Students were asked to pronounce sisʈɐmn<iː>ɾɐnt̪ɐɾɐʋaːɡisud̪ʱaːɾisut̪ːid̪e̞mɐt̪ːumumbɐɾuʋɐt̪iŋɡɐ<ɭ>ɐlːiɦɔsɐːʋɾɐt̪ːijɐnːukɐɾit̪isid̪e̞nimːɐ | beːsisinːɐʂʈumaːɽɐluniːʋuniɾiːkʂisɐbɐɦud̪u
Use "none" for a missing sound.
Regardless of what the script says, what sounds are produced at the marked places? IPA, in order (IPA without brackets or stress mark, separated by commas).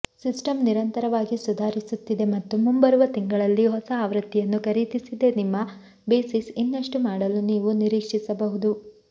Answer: i, ɭ